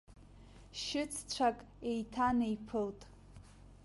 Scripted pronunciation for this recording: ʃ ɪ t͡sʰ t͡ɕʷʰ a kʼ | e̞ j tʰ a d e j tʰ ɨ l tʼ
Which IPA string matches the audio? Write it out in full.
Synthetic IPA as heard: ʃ ɪ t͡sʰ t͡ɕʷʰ a kʼ | e̞ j tʰ a n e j pʰ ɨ l tʼ